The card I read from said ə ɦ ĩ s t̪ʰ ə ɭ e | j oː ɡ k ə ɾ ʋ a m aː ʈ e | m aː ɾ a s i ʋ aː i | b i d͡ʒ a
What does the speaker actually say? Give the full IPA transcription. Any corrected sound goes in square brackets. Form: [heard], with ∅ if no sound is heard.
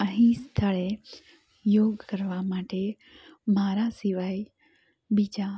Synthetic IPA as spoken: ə ɦ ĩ s t̪ʰ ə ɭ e | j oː ɡ k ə ɾ ʋ a m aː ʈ e | m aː ɾ a s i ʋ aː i | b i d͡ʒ a

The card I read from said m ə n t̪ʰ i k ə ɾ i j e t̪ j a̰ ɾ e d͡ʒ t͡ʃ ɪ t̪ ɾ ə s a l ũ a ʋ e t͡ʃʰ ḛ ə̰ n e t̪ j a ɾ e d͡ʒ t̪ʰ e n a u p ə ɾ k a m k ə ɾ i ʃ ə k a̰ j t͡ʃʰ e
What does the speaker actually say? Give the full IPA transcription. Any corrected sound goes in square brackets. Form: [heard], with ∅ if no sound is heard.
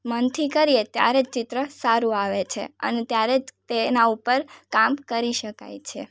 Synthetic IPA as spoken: m ə n t̪ʰ i k ə ɾ i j e t̪ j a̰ ɾ e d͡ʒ t͡ʃ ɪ t̪ ɾ ə s a [ɾ] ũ a ʋ e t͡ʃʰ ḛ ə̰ n e t̪ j a ɾ e d͡ʒ [t̪] e n a u p ə ɾ k a m k ə ɾ i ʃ ə k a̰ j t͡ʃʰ e

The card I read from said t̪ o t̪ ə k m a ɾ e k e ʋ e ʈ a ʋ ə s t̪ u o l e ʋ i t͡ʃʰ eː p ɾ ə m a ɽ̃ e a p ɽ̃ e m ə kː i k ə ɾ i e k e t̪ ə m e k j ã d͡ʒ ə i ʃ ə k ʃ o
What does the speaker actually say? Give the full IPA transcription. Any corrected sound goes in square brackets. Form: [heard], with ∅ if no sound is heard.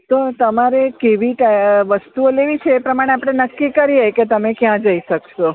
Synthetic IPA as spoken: t̪ o t̪ ə [∅] m a ɾ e k e ʋ [i] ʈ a ʋ ə s t̪ u o l e ʋ i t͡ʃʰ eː p ɾ ə m a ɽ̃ e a p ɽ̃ e [n] ə kː i k ə ɾ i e k e t̪ ə m e k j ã d͡ʒ ə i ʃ ə k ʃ o

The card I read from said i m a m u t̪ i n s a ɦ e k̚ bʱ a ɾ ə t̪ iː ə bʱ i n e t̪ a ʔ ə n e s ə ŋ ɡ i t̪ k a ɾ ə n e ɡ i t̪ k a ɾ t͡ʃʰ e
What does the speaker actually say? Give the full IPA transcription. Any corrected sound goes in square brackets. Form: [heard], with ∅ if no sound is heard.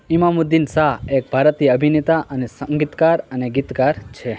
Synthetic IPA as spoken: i m a m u [d̪] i n s a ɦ e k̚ bʱ a ɾ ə t̪ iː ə bʱ i n e t̪ a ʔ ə n e s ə ŋ ɡ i t̪ k a ɾ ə n e ɡ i t̪ k a ɾ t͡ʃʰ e

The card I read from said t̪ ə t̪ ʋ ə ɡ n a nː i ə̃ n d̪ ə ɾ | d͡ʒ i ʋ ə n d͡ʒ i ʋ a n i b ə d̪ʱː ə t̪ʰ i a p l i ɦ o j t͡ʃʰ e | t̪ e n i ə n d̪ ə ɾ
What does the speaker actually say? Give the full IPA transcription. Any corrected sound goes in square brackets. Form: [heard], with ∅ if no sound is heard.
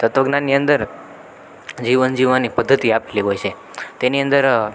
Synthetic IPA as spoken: t̪ ə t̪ ʋ ə ɡ n a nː i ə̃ n d̪ ə ɾ | d͡ʒ i ʋ ə n d͡ʒ i ʋ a n i [p] ə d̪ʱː ə [t̪] i a p l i ɦ o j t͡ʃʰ e | t̪ e n i ə n d̪ ə ɾ

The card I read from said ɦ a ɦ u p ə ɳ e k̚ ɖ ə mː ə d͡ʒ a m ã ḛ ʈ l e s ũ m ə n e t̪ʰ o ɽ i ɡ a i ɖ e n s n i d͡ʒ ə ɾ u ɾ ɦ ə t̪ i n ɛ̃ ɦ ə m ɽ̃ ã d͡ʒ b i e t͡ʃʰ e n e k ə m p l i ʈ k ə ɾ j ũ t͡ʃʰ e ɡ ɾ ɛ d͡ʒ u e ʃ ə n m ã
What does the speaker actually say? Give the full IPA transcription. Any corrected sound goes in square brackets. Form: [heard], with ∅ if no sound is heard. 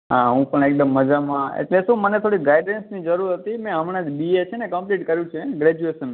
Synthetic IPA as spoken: ɦ a ɦ [ũ] p ə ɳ e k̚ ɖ ə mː ə d͡ʒ a m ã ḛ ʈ l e s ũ m ə n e t̪ʰ o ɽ i ɡ a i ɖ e n s n i d͡ʒ ə ɾ u ɾ ɦ ə t̪ i [m] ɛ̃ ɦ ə m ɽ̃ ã d͡ʒ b i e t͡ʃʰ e n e k ə m p l i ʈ k ə ɾ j ũ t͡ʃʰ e ɡ ɾ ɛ d͡ʒ u e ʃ ə n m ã

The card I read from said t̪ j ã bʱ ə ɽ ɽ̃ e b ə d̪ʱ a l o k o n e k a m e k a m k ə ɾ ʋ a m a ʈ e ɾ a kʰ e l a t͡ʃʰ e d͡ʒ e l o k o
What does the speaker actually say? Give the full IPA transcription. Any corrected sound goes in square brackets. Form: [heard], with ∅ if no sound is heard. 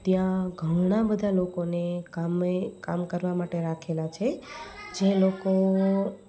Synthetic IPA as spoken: t̪ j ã [ɡʱ] ə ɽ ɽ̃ [a] b ə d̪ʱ a l o k o n e k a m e k a m k ə ɾ ʋ a m a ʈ e ɾ a kʰ e l a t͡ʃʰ e d͡ʒ e l o k o

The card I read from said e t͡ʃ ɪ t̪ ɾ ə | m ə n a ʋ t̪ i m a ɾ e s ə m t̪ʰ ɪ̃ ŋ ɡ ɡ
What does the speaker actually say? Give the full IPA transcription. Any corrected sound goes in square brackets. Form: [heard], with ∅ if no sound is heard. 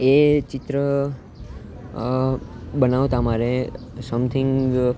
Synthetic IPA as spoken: e t͡ʃ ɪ t̪ ɾ ə | [b] ə n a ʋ t̪ [a] m a ɾ e s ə m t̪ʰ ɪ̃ ŋ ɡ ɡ

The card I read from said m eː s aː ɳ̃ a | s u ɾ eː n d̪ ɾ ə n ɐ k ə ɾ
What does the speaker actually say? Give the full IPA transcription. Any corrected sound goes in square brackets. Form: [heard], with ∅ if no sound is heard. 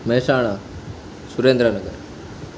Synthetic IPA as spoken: m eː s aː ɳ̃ a | s u ɾ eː n d̪ ɾ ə n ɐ [ɡ] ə ɾ

